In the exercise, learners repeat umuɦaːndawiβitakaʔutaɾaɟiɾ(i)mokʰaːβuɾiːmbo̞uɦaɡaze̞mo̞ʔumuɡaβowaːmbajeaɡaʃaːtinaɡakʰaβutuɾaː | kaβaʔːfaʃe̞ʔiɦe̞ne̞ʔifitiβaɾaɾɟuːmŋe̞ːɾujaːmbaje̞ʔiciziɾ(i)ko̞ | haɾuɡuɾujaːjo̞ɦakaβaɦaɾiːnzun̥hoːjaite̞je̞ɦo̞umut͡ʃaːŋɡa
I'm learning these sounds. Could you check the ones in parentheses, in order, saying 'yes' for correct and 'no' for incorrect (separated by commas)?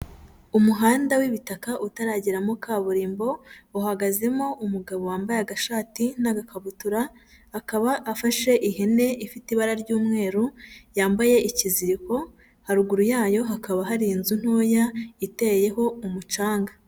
no, yes